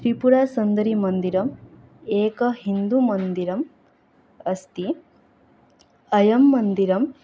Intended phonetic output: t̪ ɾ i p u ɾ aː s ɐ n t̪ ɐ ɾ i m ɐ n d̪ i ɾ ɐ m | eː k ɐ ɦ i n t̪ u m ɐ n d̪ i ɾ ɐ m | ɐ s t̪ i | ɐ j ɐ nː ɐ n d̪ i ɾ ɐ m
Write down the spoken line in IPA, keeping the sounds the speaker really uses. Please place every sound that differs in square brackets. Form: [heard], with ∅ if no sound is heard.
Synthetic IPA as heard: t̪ ɾ i p u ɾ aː s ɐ n [d̪] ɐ ɾ i m ɐ n d̪ i ɾ ɐ m | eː k ɐ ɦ i n [d̪] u m ɐ n d̪ i ɾ ɐ m | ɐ s t̪ i | ɐ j ɐ [mː] ɐ n d̪ i ɾ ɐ m